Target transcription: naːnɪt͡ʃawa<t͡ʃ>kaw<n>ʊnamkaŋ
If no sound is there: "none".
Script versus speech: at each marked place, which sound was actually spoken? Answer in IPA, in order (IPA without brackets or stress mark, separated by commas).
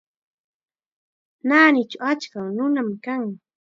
t͡ʃ, n